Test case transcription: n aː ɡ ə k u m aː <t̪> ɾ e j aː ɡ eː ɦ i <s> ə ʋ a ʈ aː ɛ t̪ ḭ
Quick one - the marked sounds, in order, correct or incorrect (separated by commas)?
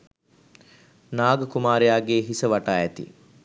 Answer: incorrect, correct